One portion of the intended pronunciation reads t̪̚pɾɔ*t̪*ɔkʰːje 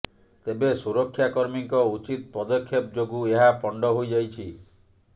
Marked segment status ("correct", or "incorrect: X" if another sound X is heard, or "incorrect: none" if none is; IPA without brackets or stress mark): incorrect: d̪